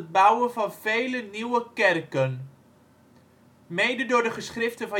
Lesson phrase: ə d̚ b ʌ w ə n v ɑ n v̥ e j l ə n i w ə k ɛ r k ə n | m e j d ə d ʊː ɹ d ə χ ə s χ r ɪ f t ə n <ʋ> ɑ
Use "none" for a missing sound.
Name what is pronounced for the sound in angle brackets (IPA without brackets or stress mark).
v